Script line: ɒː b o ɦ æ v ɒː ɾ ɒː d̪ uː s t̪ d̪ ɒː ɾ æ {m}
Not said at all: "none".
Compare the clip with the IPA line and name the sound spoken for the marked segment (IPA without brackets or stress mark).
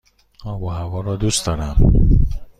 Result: m